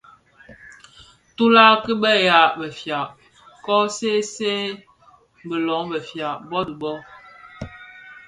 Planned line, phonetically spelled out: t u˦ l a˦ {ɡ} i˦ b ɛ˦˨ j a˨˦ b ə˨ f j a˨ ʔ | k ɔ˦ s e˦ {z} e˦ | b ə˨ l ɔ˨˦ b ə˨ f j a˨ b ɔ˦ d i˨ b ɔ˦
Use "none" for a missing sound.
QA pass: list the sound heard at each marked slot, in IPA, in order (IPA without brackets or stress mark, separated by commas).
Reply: k, s